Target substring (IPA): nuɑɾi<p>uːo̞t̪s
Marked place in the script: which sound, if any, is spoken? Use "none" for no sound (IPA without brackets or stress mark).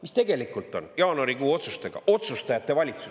k